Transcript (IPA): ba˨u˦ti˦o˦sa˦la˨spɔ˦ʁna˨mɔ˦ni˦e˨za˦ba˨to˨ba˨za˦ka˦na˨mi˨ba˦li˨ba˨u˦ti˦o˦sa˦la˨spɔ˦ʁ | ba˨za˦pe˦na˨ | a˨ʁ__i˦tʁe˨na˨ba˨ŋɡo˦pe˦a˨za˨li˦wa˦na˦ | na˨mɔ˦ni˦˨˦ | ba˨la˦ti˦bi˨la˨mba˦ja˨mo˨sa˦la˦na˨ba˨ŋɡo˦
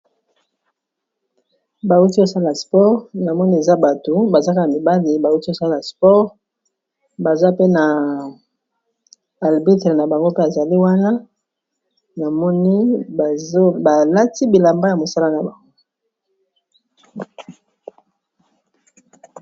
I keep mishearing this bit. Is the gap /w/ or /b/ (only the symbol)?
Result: b